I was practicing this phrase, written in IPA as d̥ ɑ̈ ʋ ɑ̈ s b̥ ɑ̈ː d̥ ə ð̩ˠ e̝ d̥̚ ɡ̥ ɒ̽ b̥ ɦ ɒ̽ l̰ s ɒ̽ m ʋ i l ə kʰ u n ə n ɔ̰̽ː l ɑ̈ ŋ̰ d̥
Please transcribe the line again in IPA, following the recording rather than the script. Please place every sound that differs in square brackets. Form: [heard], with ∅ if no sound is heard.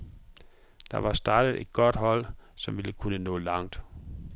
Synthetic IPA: d̥ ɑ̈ ʋ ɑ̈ s [d̥] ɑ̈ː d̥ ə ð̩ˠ e̝ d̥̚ ɡ̥ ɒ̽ [d̥] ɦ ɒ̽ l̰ s ɒ̽ m ʋ i l ə kʰ u n ə n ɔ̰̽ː l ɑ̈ ŋ̰ d̥